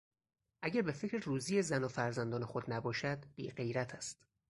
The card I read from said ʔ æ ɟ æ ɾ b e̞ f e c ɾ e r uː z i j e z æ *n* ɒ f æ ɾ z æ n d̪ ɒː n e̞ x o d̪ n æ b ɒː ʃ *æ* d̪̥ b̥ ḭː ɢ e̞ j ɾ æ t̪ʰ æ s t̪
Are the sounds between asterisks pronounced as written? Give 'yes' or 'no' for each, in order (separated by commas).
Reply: yes, yes